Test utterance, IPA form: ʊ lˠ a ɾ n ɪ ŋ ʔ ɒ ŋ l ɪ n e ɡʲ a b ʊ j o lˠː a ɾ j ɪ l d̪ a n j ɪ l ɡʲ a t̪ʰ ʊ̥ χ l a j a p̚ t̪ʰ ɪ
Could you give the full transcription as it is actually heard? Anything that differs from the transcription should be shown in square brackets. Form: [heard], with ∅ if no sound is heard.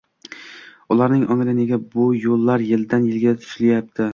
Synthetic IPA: ʊ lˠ a ɾ n ɪ ŋ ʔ ɒ ŋ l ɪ n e ɡʲ a b ʊ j o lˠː a ɾ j ɪ l d̪ a n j ɪ l ɡʲ a t̪ʰ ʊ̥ [ʃ] l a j a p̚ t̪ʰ ɪ